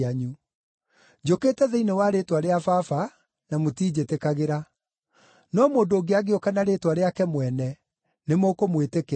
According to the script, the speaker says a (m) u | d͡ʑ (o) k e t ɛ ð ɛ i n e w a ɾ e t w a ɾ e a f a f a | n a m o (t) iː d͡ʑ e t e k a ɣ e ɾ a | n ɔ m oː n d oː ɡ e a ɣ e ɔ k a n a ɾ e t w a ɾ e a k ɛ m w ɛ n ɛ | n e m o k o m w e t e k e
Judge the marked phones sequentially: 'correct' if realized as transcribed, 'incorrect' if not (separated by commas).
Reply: incorrect, correct, correct